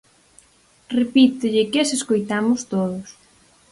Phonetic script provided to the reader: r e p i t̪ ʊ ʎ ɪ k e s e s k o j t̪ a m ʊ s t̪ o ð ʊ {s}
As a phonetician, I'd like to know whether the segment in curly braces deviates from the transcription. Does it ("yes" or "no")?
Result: no